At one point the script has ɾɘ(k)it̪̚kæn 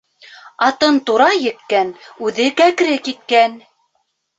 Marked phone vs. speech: correct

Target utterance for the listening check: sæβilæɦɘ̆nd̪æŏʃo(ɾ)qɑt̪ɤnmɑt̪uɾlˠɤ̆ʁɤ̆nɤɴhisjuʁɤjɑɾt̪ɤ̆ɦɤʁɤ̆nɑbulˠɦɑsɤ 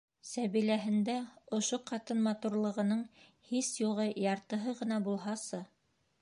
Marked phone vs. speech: incorrect: none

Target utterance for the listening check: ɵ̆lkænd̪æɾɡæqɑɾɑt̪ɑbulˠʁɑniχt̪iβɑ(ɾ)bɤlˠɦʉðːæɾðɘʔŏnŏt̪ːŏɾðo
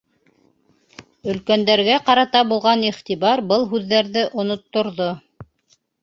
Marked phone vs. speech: correct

